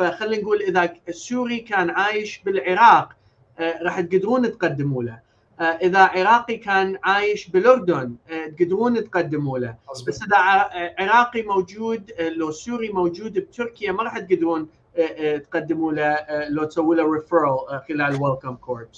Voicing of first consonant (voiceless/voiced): voiceless